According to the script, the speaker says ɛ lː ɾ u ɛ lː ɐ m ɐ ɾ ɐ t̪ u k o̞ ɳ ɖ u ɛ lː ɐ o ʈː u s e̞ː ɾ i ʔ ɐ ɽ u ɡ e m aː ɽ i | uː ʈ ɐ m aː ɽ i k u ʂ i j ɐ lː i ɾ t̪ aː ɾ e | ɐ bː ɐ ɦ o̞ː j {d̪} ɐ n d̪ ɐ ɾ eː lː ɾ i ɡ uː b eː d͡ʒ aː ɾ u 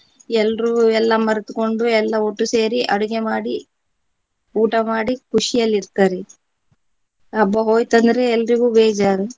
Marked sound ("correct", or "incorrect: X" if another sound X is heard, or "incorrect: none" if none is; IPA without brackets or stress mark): incorrect: t̪